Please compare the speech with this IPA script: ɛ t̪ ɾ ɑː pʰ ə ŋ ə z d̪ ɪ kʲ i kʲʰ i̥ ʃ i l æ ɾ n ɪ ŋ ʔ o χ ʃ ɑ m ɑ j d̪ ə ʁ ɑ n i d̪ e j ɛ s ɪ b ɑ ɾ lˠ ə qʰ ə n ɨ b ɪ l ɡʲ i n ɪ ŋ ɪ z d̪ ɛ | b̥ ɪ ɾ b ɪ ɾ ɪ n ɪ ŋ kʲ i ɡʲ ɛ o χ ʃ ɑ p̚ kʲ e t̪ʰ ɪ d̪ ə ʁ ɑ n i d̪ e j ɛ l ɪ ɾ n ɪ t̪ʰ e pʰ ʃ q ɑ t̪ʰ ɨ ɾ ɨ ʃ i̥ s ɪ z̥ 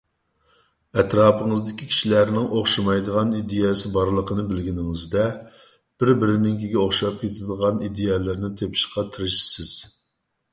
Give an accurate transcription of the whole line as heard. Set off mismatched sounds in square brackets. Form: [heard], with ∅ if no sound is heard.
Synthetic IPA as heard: ɛ t̪ ɾ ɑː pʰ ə ŋ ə z d̪ ɪ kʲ i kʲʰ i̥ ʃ i l æ ɾ n ɪ ŋ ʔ o χ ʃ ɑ m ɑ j d̪ ə ʁ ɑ n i d̪ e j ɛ s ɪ b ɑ ɾ lˠ ə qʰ ə n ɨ b ɪ l ɡʲ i n ɪ ŋ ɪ z d̪ ɛ | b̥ ɪ ɾ b ɪ ɾ ɪ n ɪ ŋ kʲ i ɡʲ ɛ o χ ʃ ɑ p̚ kʲ e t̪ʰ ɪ d̪ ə ʁ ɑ n i d̪ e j ɛ l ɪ ɾ n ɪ t̪ʰ e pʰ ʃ q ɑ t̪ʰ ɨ ɾ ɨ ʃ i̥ s ɪ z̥